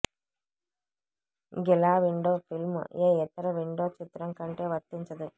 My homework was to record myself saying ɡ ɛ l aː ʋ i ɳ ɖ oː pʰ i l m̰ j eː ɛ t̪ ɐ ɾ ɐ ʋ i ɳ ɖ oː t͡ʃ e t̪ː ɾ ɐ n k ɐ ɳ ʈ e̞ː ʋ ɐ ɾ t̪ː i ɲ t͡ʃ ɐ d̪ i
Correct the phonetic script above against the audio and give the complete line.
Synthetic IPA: ɡ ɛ l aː ʋ i ɳ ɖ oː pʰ i l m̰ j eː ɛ t̪ ɐ ɾ ɐ ʋ i ɳ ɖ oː t͡ʃ i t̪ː ɾ ɐ ŋ k ɐ ɳ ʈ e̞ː ʋ ɐ ɾ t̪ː i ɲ t͡ʃ ɐ d̪ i